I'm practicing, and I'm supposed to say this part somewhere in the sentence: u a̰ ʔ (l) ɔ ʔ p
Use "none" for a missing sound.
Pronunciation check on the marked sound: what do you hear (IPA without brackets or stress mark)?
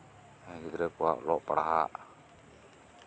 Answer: l